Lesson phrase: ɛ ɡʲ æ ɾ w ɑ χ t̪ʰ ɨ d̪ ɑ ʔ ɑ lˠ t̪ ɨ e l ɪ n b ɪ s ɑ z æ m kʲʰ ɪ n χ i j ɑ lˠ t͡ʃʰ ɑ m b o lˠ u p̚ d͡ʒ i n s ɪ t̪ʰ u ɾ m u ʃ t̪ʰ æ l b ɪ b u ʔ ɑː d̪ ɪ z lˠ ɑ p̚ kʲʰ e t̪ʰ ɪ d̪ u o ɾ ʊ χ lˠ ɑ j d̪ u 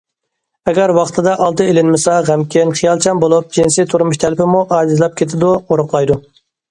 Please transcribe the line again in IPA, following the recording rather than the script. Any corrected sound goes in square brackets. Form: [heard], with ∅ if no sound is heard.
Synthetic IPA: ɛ ɡʲ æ ɾ w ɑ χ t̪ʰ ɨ d̪ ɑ ʔ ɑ lˠ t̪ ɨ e l ɪ n [m] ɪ s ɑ [ʁ] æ m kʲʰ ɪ n χ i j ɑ lˠ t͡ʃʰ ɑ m b o lˠ u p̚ d͡ʒ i n s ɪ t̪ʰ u ɾ m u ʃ t̪ʰ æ l [p] ɪ [m] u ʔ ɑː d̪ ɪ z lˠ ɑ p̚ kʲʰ e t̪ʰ ɪ d̪ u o ɾ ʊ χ lˠ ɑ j d̪ u